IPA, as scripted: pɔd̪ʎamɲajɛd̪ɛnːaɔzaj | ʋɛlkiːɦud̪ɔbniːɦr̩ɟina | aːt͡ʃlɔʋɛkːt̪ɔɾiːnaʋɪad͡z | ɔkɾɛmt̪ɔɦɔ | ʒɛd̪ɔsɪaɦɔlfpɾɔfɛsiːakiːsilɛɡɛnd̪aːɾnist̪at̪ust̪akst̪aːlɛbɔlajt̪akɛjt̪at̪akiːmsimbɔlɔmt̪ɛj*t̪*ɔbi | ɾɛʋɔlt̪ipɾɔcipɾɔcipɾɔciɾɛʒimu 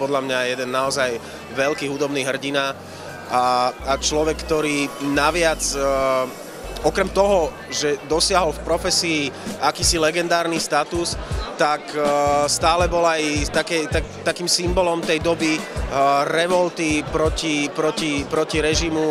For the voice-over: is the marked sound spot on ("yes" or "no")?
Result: no